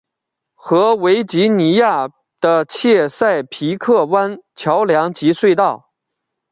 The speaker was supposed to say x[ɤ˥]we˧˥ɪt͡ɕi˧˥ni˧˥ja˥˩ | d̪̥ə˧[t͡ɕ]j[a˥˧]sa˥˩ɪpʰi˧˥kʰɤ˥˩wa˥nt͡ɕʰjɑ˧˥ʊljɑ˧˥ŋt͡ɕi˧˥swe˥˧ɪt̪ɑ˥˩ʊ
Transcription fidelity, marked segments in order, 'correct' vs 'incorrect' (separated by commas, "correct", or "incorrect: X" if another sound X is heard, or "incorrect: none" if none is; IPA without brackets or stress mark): incorrect: ɤ˧˥, incorrect: t͡ɕʰ, incorrect: ɛ˥˧